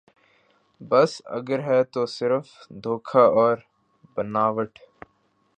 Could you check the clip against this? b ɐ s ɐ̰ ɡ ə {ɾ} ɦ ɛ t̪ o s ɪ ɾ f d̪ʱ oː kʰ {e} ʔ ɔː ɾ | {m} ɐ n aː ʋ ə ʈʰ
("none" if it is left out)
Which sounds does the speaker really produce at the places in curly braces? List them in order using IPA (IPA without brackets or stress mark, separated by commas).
ɾ, a, b